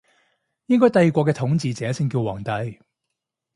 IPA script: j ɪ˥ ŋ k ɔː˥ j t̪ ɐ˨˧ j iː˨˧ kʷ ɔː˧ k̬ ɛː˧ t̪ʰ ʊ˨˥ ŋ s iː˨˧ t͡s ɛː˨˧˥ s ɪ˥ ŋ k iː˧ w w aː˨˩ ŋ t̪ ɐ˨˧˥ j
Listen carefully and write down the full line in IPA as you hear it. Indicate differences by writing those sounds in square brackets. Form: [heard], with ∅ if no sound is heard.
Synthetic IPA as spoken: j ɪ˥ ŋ k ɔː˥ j t̪ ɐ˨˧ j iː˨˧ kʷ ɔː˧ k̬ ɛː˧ t̪ʰ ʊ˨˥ ŋ [t͡s] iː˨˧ t͡s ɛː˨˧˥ s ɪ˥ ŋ k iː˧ w w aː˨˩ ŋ t̪ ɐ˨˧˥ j